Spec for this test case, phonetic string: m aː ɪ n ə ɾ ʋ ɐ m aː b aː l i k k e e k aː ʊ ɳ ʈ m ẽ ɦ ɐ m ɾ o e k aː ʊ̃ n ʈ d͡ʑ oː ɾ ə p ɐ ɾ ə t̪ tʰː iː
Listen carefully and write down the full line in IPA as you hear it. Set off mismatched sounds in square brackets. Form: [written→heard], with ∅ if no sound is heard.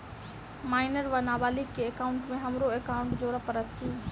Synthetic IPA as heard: m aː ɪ n ə ɾ ʋ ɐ [m→n] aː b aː l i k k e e k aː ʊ ɳ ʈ m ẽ ɦ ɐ m ɾ o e k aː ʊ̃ [n→ɳ] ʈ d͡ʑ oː ɾ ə p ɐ ɾ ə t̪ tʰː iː